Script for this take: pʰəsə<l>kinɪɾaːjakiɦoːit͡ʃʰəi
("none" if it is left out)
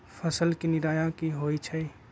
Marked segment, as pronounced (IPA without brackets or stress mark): l